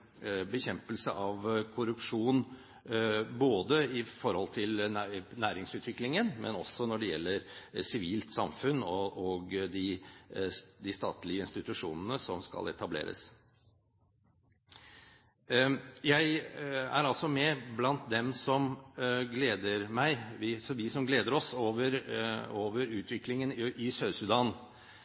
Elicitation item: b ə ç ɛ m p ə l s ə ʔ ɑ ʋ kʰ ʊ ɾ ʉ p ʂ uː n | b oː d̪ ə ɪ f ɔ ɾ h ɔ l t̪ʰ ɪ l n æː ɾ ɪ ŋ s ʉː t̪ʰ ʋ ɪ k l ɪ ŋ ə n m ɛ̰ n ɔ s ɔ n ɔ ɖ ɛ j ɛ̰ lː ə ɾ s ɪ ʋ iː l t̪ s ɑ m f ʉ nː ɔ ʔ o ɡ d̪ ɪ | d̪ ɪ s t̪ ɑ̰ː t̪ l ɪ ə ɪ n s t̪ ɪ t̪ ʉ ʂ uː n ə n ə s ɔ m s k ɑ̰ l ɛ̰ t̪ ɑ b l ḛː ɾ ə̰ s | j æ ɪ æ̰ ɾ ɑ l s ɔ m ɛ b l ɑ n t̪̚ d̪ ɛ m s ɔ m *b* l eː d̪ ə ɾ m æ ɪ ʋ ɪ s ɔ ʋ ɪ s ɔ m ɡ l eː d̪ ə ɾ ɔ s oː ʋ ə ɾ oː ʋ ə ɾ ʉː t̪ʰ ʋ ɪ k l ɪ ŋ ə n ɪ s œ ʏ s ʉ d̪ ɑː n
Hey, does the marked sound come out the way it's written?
no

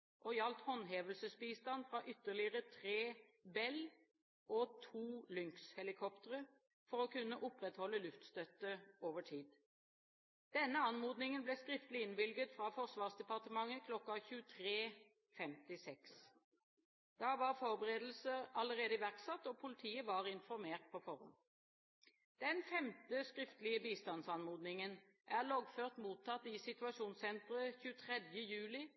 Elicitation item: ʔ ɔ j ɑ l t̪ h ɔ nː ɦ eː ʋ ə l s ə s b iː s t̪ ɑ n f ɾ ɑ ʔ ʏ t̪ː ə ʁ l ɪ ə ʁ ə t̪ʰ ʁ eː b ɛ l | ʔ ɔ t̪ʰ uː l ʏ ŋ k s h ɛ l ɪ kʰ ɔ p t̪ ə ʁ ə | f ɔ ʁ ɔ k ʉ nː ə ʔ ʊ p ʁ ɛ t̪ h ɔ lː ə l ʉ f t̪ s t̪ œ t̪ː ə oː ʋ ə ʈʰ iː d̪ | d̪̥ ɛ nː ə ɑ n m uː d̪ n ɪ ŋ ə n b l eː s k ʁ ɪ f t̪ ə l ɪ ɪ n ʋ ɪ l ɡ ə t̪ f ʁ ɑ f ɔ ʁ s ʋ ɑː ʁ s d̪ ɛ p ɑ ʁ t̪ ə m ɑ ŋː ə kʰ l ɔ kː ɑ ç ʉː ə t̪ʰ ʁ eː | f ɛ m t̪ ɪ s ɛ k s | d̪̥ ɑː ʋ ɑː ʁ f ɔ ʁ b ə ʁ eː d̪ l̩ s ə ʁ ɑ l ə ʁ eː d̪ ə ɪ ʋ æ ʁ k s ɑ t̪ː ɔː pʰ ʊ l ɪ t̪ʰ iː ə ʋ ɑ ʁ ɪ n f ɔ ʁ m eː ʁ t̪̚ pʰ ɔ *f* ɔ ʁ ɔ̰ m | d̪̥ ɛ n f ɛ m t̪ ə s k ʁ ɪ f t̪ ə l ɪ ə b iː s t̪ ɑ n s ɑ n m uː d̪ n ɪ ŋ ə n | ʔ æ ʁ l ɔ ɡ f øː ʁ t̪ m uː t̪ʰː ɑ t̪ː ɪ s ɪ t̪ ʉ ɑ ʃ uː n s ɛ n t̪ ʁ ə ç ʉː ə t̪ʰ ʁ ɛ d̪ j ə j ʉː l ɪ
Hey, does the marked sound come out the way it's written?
yes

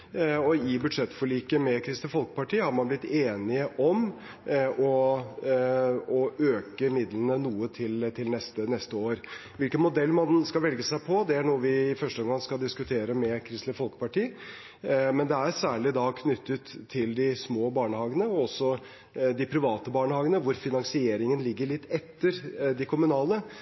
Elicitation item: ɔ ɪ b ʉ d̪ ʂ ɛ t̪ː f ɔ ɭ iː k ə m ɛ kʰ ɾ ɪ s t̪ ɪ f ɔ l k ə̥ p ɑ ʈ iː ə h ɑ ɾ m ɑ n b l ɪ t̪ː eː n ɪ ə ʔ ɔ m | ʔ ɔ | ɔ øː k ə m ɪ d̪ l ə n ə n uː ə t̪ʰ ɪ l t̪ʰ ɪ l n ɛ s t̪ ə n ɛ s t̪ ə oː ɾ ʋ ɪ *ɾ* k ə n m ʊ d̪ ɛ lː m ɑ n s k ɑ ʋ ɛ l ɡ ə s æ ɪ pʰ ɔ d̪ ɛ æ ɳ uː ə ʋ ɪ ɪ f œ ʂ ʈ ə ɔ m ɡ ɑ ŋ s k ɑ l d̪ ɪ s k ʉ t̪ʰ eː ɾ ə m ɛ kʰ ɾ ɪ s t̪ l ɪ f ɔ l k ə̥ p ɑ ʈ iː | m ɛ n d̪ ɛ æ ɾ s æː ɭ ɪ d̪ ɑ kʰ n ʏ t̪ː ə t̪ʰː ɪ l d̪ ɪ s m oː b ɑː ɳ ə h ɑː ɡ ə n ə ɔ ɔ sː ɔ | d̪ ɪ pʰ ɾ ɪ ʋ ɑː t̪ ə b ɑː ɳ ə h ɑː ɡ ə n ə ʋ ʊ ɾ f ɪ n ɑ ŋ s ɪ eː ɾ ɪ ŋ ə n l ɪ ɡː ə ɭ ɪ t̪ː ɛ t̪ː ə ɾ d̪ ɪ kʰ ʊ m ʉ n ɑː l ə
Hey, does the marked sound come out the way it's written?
no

